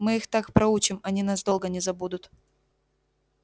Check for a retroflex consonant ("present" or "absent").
absent